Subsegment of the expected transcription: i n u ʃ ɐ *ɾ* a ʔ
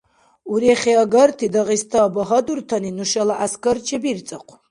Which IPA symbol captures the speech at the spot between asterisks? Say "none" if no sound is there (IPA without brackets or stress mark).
l